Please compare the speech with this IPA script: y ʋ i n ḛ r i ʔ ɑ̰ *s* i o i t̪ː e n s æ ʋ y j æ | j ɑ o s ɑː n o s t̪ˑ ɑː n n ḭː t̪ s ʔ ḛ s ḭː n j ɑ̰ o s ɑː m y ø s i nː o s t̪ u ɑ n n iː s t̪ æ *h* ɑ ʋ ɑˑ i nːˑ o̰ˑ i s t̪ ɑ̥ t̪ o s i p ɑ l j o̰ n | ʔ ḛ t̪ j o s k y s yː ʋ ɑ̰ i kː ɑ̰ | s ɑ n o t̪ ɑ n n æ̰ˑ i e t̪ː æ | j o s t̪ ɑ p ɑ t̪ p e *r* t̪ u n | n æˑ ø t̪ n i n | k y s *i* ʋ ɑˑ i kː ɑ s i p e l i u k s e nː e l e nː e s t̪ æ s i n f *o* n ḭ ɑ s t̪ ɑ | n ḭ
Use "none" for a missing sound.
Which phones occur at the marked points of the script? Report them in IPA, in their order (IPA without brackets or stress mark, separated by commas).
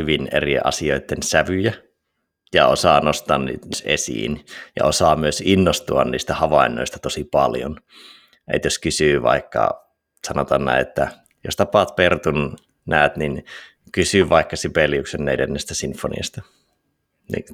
s, h, r, y, o